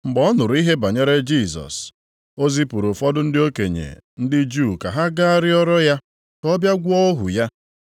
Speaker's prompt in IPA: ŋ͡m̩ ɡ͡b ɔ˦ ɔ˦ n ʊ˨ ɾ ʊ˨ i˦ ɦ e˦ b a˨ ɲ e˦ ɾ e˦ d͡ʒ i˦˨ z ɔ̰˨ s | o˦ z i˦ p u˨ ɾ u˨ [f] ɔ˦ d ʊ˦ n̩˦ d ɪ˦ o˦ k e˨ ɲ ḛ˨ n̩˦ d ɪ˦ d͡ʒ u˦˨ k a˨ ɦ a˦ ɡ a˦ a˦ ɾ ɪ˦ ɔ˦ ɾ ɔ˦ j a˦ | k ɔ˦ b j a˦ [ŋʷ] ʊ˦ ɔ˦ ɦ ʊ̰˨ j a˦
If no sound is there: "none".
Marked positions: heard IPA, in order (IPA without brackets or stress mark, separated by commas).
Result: f, ɡʷ